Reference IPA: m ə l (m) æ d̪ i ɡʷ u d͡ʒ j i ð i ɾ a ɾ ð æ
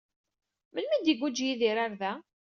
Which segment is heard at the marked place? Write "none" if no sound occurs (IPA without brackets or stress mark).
m